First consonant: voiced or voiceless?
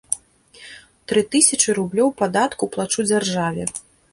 voiceless